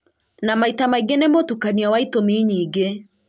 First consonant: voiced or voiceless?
voiced